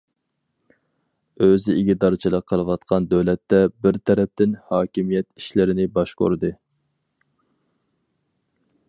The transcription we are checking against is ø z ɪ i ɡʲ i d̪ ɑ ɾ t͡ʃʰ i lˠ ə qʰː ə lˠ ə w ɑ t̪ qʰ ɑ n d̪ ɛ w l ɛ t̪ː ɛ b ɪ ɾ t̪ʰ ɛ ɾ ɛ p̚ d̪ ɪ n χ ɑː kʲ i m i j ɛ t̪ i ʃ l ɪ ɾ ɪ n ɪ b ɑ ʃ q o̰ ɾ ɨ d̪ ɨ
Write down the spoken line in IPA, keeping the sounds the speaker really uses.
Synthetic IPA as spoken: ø z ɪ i ɡʲ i d̪ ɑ ɾ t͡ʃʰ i lˠ ə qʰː ə lˠ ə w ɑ t̪ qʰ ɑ n d̪ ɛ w l ɛ t̪ː ɛ b ɪ ɾ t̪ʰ ɛ ɾ ɛ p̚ t̪ ɪ n h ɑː kʲ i m i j ɛ t̪ i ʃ l ɪ ɾ ɪ n ɪ b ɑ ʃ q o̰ ɾ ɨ d̪ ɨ